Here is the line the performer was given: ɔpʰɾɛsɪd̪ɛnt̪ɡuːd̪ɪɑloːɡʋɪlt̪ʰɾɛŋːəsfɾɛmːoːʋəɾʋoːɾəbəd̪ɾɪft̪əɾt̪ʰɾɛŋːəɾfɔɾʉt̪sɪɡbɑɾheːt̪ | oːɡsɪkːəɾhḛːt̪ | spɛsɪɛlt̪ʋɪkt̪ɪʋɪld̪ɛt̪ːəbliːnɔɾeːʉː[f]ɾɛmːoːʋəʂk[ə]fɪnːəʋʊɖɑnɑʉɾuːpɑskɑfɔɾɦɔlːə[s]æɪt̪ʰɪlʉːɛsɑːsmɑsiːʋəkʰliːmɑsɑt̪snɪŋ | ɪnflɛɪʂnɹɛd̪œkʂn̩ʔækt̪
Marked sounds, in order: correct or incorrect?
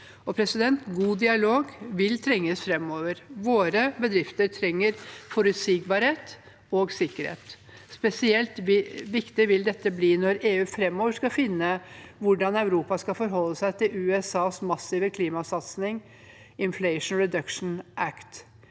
correct, incorrect: ɑ, correct

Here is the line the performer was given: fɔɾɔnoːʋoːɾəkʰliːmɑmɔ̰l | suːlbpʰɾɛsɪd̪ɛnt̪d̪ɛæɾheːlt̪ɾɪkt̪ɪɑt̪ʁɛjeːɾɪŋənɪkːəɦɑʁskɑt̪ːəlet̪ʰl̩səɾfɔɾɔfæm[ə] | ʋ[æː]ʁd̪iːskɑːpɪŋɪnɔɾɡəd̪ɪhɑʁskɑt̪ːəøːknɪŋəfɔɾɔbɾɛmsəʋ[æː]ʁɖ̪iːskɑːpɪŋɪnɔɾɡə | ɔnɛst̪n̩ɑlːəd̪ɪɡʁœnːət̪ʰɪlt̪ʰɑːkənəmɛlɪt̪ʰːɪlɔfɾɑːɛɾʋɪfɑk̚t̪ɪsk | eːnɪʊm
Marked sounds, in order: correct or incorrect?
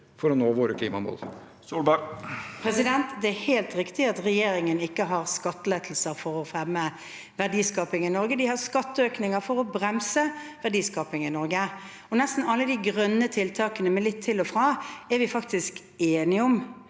correct, incorrect: æ, incorrect: æ

